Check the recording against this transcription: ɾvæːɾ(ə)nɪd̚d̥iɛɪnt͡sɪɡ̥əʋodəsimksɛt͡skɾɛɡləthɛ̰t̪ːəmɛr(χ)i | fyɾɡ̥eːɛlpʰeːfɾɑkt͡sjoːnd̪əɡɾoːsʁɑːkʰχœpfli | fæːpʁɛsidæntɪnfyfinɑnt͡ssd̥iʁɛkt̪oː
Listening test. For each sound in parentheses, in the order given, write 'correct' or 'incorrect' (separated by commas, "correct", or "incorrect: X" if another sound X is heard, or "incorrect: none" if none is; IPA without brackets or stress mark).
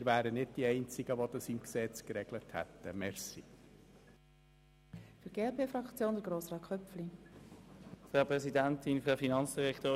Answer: correct, incorrect: s